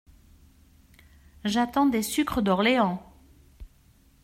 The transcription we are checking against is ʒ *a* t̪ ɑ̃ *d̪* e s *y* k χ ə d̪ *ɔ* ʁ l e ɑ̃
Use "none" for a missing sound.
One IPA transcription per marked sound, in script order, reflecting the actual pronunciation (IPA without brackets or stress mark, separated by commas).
a, d̪, y, ɔ